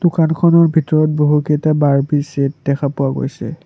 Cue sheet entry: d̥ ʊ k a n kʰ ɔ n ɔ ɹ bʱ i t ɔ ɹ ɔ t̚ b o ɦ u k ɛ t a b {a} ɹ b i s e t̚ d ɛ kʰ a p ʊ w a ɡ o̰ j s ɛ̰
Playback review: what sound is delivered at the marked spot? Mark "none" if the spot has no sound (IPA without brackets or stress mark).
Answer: a